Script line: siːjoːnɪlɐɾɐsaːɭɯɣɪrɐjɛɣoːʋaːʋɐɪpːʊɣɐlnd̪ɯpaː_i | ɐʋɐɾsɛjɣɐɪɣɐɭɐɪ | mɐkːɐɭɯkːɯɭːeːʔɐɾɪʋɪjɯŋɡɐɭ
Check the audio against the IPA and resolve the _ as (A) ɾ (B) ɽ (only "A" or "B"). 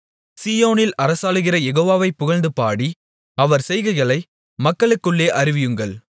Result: B